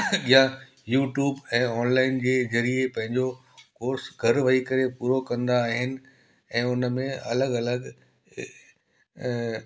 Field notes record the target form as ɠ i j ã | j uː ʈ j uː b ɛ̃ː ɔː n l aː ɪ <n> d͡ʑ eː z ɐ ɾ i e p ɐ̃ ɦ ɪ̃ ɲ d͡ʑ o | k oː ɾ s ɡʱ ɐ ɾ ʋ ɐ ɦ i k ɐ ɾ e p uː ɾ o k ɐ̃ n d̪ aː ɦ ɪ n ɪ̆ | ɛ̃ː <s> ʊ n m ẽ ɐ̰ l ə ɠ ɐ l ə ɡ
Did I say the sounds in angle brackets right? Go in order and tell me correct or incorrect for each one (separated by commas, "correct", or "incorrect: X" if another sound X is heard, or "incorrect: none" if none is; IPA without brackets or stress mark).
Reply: correct, incorrect: none